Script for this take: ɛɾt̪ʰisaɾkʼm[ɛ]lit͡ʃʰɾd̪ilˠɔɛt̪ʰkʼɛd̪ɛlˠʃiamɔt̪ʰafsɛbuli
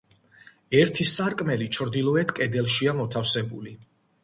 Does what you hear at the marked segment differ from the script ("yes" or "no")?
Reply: no